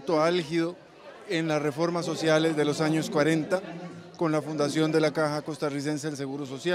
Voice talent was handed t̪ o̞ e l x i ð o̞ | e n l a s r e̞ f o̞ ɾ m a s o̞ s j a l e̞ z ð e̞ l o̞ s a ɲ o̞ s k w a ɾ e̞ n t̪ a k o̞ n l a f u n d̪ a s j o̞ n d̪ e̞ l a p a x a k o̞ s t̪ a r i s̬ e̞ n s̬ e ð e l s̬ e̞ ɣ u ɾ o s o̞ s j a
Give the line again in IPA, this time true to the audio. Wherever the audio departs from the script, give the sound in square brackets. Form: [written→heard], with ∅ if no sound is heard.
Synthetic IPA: t̪ o̞ [e→a] l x i ð o̞ | e n l a s r e̞ f o̞ ɾ m a s o̞ s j a l e̞ z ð e̞ l o̞ s a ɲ o̞ s k w a ɾ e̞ n t̪ a k o̞ n l a f u n d̪ a s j o̞ n d̪ e̞ l a [p→k] a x a k o̞ s t̪ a r i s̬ e̞ n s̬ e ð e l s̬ e̞ ɣ u ɾ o s o̞ s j a